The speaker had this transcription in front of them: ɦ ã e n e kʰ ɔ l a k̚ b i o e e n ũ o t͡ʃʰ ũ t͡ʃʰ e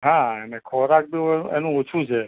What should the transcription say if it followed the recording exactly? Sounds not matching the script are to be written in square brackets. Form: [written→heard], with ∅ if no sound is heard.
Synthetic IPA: ɦ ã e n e kʰ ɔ [l→ɾ] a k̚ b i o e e n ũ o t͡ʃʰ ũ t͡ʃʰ e